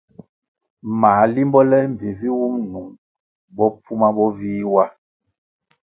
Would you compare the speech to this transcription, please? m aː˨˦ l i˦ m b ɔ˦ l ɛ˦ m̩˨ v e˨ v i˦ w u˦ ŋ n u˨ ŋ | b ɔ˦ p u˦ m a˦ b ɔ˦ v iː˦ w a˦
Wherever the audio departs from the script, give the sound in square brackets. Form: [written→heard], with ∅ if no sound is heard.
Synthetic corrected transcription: m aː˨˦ l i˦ m b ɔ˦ l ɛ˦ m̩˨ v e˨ v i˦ w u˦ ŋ n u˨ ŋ | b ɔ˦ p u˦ m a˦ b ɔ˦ v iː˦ w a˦

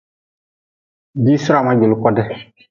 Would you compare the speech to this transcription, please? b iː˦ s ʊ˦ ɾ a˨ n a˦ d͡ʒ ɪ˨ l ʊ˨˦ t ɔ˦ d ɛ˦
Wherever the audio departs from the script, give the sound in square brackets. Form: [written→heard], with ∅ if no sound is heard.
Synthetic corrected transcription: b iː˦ s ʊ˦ ɾ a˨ [n→m] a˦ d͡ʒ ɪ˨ l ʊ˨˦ [t→k] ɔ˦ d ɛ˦

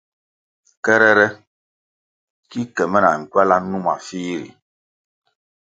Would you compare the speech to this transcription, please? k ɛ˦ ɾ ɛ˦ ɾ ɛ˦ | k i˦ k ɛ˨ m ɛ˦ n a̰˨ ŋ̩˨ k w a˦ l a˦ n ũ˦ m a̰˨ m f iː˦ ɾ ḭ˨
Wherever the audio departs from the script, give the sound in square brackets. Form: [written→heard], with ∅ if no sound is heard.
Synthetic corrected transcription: k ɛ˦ ɾ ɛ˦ ɾ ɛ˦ | k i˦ k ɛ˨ m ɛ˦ n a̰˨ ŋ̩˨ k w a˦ l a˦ n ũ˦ m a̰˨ [m→∅] f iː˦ ɾ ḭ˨

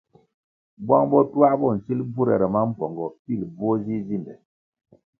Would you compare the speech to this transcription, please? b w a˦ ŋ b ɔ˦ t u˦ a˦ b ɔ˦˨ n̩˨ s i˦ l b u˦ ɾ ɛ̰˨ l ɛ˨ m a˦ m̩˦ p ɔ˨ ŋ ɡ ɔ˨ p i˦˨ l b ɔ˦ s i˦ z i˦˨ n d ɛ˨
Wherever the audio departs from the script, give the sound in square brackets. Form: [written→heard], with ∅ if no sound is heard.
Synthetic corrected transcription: b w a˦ ŋ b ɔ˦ t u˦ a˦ b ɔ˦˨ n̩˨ s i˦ l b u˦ ɾ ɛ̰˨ [l→ɾ] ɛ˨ m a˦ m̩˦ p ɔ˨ ŋ ɡ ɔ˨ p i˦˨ l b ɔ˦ [s→z] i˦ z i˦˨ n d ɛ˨

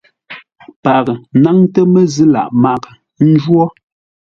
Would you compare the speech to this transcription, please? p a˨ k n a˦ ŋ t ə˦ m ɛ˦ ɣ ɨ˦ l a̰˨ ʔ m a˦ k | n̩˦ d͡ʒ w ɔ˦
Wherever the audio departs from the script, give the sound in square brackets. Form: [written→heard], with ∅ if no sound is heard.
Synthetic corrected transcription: p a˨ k n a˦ ŋ t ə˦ m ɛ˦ [ɣ→z] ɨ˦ l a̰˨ ʔ m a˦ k | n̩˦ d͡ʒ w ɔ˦

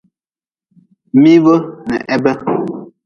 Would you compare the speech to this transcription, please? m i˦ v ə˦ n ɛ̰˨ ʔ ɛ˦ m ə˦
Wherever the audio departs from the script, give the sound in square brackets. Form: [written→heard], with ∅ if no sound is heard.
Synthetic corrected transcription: m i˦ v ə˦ n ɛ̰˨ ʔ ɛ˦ [m→b] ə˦

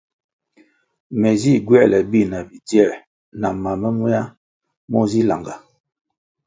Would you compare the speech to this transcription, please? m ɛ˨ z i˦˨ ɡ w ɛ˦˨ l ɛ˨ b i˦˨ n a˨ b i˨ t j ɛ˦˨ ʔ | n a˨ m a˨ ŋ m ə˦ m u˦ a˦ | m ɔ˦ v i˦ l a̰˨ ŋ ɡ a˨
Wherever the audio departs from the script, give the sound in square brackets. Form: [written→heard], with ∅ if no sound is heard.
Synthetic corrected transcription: m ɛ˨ z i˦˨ ɡ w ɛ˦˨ l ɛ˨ b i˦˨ n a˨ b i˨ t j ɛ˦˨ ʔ | n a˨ m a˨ [ŋ→∅] m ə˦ m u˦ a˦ | m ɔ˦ [v→z] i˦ l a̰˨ ŋ ɡ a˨

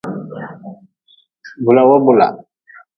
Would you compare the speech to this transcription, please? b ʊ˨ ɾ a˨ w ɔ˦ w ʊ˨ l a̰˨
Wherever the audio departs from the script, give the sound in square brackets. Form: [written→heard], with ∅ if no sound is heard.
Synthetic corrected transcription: b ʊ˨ [ɾ→l] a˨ w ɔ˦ [w→b] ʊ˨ l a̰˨

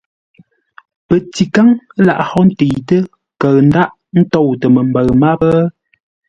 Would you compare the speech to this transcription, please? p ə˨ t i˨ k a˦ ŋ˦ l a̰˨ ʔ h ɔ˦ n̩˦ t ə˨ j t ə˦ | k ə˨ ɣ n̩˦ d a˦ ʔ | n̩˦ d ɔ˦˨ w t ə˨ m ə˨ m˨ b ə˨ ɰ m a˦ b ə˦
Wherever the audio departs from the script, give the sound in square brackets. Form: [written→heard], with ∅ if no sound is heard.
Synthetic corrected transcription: p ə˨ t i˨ k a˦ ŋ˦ l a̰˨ ʔ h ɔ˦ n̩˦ t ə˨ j t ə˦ | k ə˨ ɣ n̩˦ d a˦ ʔ | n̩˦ [d→t] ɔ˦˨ w t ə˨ m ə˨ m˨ b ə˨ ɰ m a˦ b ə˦

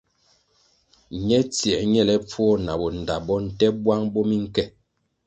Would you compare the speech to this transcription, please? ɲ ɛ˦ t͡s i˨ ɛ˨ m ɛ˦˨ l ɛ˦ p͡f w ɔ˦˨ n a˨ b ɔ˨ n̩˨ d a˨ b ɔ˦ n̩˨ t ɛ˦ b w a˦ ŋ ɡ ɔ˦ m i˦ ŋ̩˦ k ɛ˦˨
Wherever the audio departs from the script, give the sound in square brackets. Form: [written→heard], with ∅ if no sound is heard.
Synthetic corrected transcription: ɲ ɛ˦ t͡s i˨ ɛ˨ [m→ɲ] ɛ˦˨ l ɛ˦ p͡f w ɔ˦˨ n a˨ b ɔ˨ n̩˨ d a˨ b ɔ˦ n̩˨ t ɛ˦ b w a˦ ŋ [ɡ→b] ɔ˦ m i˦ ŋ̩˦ k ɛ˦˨

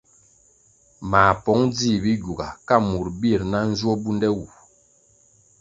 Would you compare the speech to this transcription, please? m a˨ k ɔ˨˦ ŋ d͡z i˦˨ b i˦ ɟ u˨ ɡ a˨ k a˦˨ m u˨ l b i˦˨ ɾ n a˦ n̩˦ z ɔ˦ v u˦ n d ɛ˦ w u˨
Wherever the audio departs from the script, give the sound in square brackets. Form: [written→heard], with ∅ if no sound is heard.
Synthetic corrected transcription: m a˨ [k→p] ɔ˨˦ ŋ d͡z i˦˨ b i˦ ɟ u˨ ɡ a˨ k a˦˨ m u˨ [l→ɾ] b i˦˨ ɾ n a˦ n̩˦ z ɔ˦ [v→b] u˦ n d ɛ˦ w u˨

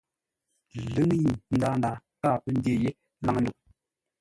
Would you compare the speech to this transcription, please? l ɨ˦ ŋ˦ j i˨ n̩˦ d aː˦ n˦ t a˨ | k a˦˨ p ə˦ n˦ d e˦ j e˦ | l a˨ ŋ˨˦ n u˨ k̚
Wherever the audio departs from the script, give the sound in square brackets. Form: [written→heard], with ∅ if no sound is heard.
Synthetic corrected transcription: l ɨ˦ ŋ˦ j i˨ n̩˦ d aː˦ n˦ [t→d] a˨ | k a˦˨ p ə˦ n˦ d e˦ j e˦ | l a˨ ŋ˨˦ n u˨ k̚

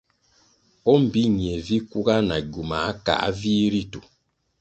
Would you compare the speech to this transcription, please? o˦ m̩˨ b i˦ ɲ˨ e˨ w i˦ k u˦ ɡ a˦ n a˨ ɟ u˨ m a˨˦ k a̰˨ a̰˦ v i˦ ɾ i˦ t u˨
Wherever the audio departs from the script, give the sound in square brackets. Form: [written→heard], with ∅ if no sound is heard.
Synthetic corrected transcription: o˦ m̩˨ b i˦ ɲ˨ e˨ [w→v] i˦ k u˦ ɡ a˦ n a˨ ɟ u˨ m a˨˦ k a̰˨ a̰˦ v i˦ ɾ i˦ t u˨

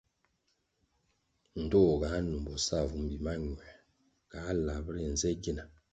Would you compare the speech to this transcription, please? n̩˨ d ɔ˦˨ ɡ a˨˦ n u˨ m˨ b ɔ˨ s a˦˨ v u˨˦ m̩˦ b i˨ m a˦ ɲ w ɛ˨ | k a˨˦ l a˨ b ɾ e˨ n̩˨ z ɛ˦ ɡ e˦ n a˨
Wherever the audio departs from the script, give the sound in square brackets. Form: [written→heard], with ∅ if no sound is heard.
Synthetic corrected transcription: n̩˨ d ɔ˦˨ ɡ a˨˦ n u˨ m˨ b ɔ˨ s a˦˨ v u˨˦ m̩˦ b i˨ m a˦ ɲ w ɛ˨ | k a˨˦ l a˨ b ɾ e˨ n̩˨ z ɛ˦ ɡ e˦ n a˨

